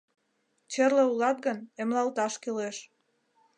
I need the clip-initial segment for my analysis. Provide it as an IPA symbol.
t͡ɕ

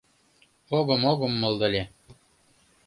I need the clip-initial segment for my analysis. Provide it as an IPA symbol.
o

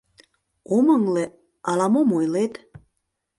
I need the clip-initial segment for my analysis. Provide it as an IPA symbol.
o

